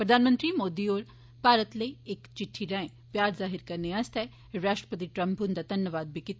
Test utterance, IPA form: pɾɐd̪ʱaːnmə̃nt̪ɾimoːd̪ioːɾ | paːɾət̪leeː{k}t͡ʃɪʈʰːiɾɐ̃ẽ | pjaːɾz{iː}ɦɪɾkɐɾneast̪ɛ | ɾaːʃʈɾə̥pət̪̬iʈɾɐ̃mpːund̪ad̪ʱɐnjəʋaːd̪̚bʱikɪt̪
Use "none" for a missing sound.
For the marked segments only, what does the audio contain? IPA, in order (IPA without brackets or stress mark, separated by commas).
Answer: k, aː